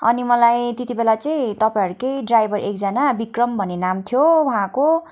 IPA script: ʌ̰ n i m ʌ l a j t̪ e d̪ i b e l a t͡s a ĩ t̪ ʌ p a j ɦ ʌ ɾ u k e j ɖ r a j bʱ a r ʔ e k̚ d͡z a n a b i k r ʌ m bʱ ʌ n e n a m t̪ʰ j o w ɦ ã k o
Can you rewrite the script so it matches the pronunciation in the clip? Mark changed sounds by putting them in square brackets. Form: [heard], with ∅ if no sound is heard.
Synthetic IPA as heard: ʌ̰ n i m ʌ l a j t̪ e [t̪] i b e l a t͡s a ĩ t̪ ʌ p a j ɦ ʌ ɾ u k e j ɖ r a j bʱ [ʌ] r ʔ e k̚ d͡z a n a b i k r ʌ m bʱ ʌ n e n a m t̪ʰ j o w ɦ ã k o